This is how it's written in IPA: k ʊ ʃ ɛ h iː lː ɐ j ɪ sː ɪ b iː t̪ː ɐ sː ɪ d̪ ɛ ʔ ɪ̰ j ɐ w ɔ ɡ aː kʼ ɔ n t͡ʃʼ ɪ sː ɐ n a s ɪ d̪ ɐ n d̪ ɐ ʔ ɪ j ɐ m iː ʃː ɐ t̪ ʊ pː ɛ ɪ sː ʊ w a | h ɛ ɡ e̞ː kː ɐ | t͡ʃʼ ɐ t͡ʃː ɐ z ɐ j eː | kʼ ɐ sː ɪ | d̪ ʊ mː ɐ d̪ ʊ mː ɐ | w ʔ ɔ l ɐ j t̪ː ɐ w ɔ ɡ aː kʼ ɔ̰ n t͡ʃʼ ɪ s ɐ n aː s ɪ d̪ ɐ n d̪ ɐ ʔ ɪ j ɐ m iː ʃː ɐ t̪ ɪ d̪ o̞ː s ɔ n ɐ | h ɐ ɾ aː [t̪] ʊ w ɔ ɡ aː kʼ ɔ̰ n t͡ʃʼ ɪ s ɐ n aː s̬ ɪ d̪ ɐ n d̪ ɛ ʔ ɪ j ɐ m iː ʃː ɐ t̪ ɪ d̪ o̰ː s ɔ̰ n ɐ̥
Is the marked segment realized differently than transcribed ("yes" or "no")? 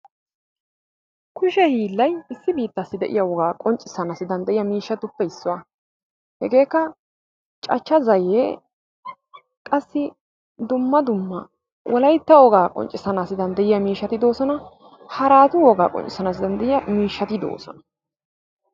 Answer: no